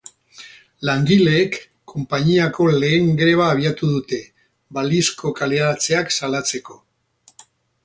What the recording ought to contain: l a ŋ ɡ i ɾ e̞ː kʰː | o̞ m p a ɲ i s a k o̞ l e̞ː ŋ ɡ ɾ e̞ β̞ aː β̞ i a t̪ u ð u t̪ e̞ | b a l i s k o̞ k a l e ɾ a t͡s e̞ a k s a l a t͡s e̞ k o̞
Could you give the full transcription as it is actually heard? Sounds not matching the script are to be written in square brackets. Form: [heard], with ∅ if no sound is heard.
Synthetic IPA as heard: l a ŋ ɡ i [l] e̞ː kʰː | o̞ m p a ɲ i [∅] a k o̞ l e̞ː ŋ ɡ ɾ e̞ β̞ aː β̞ i a t̪ u ð u t̪ e̞ | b a l i s k o̞ k a l e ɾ a t͡s e̞ a k s a l a t͡s e̞ k o̞